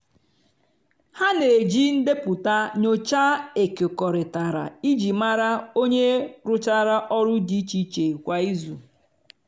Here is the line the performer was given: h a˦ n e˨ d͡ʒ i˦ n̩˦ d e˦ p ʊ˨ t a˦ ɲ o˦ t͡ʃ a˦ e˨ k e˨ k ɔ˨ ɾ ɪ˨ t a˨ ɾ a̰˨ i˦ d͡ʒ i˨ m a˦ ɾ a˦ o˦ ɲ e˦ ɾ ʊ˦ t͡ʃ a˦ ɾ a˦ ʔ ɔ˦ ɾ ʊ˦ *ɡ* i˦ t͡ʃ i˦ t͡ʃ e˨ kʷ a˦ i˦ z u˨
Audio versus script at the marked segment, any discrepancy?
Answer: yes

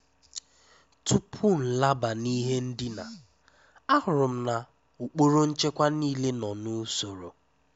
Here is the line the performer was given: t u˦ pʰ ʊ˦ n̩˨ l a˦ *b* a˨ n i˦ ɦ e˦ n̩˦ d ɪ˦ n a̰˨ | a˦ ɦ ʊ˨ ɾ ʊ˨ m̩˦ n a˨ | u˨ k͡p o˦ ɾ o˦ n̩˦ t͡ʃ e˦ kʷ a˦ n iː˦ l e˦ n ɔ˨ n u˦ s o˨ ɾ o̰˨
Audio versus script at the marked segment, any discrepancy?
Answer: no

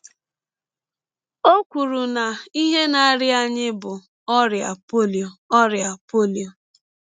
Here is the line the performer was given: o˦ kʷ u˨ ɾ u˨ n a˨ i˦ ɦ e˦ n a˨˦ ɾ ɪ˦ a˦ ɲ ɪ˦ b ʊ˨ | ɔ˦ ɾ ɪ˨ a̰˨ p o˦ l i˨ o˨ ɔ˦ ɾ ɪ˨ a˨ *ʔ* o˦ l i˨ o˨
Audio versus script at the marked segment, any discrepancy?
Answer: yes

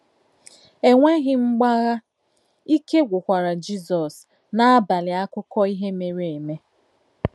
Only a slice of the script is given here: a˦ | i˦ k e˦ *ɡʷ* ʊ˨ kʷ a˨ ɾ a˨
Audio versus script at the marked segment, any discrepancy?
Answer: no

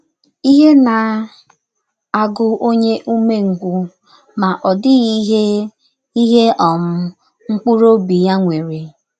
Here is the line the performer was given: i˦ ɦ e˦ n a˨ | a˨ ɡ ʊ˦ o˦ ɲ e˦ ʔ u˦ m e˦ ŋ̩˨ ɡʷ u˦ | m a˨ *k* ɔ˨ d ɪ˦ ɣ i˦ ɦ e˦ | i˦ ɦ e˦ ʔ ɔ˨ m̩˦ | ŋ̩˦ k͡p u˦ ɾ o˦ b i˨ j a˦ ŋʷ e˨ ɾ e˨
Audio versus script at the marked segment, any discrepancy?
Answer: yes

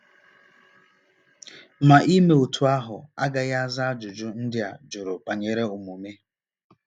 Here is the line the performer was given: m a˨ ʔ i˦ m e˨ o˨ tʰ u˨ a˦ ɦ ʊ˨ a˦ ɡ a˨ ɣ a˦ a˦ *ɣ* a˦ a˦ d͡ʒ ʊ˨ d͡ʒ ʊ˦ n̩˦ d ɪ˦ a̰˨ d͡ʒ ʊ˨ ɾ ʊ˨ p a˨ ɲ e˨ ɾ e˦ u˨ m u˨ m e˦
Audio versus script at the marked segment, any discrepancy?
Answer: yes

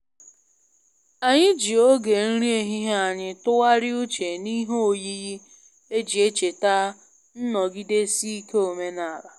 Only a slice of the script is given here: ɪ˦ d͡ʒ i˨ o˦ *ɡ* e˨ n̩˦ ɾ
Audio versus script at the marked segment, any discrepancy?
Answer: no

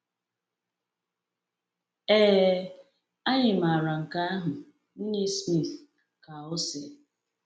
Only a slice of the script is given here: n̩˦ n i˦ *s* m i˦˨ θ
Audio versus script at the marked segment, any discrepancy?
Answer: no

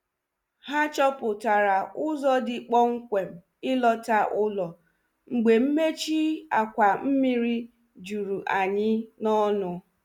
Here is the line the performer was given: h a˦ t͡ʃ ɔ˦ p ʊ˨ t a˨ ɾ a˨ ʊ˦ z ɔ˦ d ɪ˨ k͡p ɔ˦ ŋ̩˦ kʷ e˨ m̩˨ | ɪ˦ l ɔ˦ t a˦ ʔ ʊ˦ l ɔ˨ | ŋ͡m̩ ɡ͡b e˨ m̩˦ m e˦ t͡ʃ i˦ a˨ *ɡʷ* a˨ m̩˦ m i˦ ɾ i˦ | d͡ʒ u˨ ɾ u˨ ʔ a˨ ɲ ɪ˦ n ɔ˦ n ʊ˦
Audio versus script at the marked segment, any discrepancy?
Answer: yes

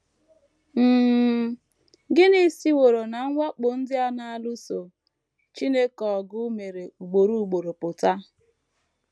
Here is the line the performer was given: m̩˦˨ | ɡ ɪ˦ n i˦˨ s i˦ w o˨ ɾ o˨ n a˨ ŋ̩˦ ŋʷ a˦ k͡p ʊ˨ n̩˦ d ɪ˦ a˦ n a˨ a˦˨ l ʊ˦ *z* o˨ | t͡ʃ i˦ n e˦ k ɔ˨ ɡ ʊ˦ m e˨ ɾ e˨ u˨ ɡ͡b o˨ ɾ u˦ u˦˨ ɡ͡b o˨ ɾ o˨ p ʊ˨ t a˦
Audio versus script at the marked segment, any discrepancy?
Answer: yes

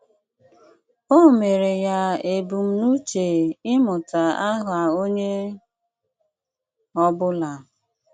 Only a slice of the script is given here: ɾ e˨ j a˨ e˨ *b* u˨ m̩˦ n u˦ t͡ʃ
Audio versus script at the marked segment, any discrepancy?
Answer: no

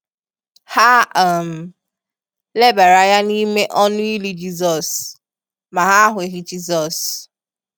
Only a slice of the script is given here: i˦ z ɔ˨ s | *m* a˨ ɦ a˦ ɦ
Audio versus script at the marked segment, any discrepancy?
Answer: no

